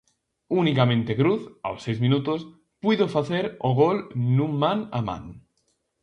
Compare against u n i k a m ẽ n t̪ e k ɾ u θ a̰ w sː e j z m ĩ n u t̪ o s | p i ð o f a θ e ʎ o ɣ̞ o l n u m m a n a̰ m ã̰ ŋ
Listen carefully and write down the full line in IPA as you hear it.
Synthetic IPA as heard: u n i k a m ẽ n t̪ e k ɾ u θ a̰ w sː e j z m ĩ n u t̪ o s | p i ð o f a θ e ɾ o ɣ̞ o l n u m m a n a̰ m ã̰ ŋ